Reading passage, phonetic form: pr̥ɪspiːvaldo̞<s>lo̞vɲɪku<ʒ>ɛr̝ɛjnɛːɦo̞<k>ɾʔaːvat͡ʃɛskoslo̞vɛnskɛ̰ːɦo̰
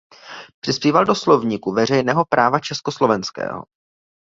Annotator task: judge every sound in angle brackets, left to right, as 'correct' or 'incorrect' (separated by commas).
correct, incorrect, incorrect